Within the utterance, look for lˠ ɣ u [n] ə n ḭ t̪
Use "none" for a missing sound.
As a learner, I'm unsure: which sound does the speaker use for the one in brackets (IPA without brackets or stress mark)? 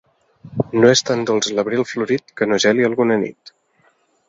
n